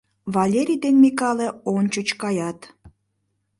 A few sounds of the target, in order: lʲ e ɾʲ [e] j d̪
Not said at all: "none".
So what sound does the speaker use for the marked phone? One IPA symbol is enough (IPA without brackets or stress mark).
i